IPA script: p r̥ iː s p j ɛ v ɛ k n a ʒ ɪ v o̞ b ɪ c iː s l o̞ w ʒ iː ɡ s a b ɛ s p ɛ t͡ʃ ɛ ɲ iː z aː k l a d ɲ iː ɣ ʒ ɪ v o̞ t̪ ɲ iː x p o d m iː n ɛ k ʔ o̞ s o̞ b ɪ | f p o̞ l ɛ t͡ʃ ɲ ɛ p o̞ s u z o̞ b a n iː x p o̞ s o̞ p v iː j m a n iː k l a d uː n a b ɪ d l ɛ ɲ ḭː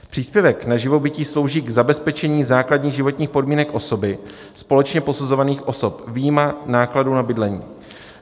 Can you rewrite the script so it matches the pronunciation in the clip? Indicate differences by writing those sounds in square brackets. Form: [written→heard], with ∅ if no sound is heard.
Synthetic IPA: p r̥ iː s p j ɛ v ɛ k n a ʒ ɪ v o̞ b ɪ c iː s l o̞ w ʒ iː ɡ [s→z] a b ɛ s p ɛ t͡ʃ ɛ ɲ iː z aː k l a d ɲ iː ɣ ʒ ɪ v o̞ t̪ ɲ iː x p o d m iː n ɛ k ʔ o̞ s o̞ b ɪ | [f→s] p o̞ l ɛ t͡ʃ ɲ ɛ p o̞ s u z o̞ [b→v] a n iː x [p→ʔ] o̞ s o̞ p v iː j m a n [iː→aː] k l a d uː n a b ɪ d l ɛ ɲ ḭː